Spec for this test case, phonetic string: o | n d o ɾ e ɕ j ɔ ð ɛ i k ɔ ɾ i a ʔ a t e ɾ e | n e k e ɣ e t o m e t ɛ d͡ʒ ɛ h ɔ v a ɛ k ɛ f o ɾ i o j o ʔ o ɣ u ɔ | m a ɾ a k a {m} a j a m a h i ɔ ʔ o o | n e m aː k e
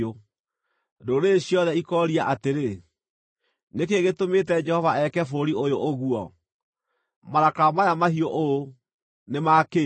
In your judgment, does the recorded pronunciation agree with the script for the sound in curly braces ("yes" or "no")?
yes